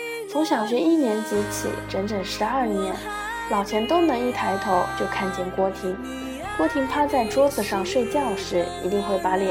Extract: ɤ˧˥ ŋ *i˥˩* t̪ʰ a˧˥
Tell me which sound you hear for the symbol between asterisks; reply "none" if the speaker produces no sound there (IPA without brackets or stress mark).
i˥˩